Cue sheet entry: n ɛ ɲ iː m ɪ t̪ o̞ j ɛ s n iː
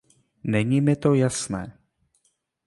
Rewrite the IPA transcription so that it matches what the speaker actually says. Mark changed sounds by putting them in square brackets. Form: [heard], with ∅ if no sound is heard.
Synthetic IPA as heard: n ɛ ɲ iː m ɪ t̪ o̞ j [a] s n [ɛː]

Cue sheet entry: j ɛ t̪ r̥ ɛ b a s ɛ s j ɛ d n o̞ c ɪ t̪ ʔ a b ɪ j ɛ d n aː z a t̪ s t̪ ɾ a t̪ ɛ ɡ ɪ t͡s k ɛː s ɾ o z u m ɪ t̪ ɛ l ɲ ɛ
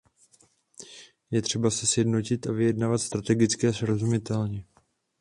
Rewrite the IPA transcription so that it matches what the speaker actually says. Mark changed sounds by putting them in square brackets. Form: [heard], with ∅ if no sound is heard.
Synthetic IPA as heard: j ɛ t̪ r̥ ɛ b a s ɛ s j ɛ d n o̞ c ɪ t̪ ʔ a [v] ɪ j ɛ d n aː [v] a t̪ s t̪ ɾ a t̪ ɛ ɡ ɪ t͡s k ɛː s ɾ o z u m ɪ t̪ ɛ l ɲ ɛ

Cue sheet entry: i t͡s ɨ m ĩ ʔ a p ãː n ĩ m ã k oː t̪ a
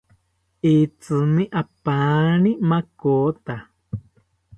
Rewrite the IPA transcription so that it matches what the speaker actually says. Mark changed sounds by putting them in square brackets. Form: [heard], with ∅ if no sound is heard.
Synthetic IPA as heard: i t͡s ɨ m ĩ ʔ a p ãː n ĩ m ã k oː t̪ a

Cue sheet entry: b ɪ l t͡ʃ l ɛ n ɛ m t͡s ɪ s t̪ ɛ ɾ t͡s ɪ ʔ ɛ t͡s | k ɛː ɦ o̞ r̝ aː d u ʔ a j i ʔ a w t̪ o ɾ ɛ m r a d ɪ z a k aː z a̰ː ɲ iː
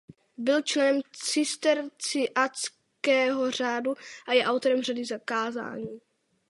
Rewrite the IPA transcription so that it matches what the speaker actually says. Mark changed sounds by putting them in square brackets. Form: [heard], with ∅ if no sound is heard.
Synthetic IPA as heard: b ɪ l t͡ʃ l ɛ n ɛ m t͡s ɪ s t̪ ɛ ɾ t͡s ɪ ʔ [a] t͡s | k ɛː ɦ o̞ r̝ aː d u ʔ a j [ɛ] ʔ a w t̪ o ɾ ɛ m r a d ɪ z a k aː z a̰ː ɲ iː

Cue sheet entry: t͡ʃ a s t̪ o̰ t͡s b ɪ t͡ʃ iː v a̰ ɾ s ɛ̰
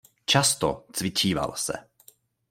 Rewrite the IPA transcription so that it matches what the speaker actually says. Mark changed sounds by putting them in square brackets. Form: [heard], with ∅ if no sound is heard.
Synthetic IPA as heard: t͡ʃ a s t̪ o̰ t͡s [v] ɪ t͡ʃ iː v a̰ [l] s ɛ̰

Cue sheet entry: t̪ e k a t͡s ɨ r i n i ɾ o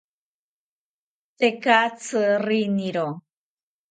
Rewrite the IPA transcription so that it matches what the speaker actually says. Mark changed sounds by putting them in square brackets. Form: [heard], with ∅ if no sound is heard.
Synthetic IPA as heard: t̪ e k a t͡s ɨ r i n i ɾ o

